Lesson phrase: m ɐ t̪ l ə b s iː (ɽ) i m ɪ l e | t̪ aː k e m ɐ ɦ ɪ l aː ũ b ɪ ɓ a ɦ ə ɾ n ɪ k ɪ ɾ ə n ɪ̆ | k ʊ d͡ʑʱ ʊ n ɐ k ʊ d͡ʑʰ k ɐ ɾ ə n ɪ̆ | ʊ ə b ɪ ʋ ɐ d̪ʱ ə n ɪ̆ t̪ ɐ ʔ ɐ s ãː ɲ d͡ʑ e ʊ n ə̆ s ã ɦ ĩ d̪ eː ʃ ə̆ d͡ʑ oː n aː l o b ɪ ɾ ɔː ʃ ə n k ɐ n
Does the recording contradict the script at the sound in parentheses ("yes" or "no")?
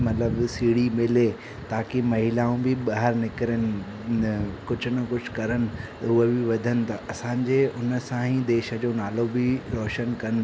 no